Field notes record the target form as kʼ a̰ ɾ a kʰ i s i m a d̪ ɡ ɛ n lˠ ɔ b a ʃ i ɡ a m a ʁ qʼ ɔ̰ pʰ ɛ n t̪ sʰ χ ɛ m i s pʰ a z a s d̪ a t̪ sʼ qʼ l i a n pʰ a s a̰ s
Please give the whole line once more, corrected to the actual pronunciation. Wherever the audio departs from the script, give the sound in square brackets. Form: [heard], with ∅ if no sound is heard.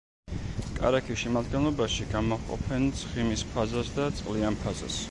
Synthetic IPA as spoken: kʼ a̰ ɾ a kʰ i [ʃ] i m a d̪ ɡ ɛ n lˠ ɔ b a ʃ i ɡ a m a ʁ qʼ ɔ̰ pʰ ɛ n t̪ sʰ χ [i] m i s pʰ a z a s d̪ a t̪ sʼ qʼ l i a n pʰ a [z] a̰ s